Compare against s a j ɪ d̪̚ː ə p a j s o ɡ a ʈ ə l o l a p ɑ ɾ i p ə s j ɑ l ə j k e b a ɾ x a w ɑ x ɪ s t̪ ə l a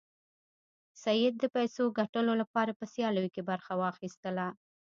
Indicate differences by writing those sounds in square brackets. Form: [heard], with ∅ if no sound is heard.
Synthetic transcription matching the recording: s a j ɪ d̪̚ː ə p a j s o ɡ a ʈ ə l o l a p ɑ ɾ [a] p ə s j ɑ l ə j k e b a ɾ x a w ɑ x [i] s t̪ ə l a